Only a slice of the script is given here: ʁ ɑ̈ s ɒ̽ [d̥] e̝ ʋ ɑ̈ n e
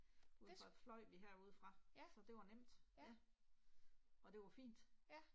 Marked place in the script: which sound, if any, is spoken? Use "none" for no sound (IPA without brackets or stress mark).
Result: d̥